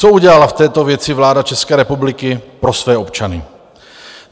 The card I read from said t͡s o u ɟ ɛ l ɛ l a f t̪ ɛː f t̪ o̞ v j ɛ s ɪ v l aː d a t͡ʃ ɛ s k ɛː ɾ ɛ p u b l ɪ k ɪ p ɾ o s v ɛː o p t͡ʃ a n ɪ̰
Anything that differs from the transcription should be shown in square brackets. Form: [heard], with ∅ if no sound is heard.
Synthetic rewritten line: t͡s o u ɟ ɛ l [a] l a f t̪ ɛː [∅] t̪ o̞ v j ɛ [t͡s] ɪ v l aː d a t͡ʃ ɛ s k ɛː ɾ ɛ p u b l ɪ k ɪ p ɾ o s v ɛː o p t͡ʃ a n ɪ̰